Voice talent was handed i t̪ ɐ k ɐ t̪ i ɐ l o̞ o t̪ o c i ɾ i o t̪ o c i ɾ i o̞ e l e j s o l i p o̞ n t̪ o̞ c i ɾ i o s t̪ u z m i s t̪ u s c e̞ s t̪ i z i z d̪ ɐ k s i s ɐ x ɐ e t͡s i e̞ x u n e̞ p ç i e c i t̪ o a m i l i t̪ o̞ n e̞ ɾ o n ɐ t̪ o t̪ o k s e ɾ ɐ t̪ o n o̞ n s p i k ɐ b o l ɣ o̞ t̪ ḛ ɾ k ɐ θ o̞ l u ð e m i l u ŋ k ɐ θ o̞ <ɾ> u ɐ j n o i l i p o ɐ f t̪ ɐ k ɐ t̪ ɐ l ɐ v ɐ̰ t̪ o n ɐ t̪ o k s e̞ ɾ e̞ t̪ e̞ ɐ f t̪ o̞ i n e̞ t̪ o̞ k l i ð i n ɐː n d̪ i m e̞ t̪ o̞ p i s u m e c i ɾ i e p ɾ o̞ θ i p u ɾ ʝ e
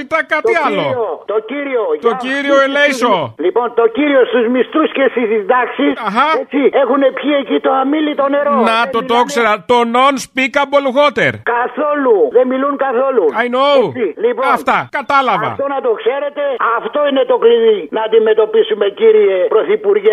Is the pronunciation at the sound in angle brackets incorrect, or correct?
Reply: incorrect